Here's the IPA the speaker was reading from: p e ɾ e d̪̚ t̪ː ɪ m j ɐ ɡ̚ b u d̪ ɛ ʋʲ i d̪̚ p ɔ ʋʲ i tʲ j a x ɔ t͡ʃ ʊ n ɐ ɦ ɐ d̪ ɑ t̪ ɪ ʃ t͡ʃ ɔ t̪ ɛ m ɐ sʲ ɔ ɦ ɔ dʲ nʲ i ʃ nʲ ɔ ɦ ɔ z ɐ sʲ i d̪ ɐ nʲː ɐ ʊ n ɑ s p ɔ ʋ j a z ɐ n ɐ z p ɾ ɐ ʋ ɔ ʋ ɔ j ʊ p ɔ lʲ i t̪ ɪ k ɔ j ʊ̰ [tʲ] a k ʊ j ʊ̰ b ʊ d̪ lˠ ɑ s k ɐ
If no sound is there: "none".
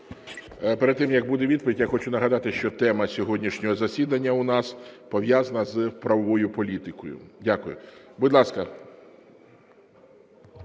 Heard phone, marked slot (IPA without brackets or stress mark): dʲ